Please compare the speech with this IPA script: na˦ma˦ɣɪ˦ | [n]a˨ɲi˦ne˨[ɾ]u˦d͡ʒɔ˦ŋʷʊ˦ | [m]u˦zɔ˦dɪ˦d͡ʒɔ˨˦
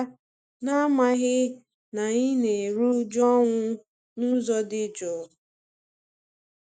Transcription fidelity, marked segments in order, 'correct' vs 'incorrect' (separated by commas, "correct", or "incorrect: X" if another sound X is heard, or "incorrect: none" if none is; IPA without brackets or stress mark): correct, correct, incorrect: n